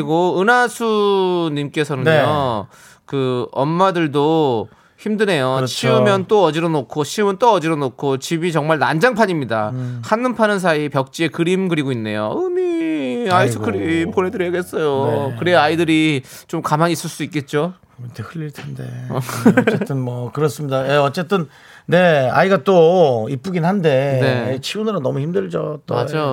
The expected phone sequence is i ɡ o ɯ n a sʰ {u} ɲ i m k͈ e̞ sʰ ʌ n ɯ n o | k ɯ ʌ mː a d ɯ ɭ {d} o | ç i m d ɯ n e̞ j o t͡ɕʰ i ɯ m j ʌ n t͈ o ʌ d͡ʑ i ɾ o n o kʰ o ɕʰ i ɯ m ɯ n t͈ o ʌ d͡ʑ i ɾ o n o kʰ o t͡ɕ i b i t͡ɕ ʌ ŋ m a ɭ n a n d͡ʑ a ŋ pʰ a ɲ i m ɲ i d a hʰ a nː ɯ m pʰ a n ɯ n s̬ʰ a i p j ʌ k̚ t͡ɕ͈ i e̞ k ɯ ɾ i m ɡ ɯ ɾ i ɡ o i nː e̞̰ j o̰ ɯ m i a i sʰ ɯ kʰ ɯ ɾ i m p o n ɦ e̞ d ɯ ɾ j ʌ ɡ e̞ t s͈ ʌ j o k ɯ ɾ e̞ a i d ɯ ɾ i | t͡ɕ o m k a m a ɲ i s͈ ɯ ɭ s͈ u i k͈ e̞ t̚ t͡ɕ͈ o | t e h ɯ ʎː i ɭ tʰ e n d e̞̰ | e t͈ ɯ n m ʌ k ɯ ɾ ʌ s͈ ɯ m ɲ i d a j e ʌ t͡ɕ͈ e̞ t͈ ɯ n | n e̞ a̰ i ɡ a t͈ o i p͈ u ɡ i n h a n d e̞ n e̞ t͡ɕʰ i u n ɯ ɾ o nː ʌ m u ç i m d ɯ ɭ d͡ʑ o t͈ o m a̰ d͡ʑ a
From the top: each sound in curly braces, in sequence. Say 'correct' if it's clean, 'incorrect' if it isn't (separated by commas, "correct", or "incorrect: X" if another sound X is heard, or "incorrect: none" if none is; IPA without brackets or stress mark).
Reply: correct, correct